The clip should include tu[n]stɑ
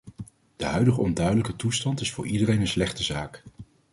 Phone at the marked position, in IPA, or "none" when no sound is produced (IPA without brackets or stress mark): none